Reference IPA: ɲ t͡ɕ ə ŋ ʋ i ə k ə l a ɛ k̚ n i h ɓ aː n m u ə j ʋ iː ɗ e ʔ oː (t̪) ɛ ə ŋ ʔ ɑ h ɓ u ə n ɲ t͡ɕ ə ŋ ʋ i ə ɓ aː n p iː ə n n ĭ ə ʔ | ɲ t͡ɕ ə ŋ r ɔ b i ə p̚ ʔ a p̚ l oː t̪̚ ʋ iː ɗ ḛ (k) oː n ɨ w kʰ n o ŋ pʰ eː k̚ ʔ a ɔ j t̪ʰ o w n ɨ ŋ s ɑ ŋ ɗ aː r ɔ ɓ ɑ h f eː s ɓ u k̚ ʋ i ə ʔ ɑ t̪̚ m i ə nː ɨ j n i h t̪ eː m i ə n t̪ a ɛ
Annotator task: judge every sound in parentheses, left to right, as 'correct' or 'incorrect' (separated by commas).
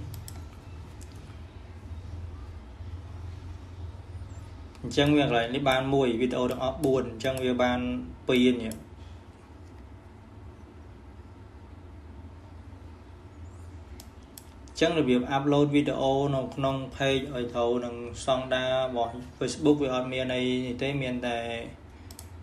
correct, incorrect